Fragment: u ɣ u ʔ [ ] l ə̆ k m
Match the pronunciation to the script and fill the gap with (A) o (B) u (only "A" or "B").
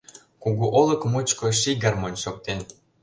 A